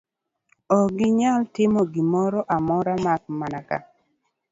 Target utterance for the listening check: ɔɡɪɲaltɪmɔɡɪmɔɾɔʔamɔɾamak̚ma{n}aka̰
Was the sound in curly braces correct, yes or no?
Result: yes